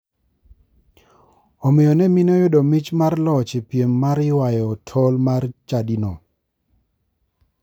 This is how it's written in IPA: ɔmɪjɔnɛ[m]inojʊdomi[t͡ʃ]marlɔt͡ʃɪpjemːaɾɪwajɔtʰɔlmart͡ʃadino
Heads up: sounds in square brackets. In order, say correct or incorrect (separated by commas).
correct, correct